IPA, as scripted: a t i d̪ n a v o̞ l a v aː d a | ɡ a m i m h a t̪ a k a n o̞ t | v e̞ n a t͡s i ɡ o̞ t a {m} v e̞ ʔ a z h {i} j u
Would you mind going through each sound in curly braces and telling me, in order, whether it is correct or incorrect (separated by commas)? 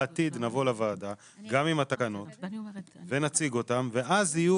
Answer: correct, correct